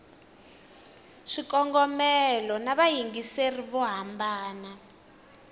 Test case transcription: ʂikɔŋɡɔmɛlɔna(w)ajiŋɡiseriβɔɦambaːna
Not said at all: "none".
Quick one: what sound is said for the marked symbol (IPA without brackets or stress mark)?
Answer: β